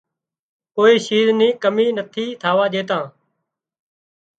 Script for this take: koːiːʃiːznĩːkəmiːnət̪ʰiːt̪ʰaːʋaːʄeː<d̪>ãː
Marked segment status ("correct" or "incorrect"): incorrect